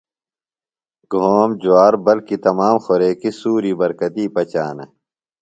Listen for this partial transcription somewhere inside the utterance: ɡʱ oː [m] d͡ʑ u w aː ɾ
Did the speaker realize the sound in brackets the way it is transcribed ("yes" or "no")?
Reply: yes